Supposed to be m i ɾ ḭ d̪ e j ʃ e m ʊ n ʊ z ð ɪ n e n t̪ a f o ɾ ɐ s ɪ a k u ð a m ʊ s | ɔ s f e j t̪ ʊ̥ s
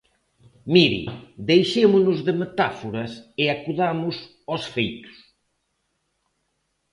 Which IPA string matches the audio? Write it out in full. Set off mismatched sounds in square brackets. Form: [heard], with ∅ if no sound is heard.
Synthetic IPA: m i ɾ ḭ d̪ e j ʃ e m ʊ n ʊ z ð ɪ [m] e [∅] t̪ a f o ɾ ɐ s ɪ a k u ð a m ʊ s | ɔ s f e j t̪ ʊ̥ s